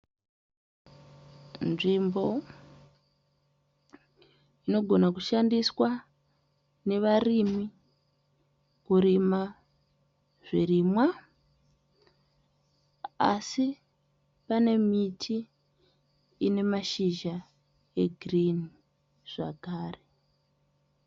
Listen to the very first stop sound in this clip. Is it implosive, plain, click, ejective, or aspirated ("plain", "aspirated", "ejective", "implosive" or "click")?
plain